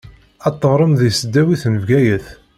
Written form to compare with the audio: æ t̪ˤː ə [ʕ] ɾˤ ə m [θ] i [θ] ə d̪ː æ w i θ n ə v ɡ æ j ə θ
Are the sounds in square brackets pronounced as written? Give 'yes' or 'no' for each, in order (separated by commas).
no, no, no